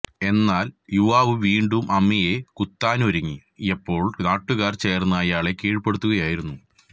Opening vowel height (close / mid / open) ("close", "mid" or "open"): mid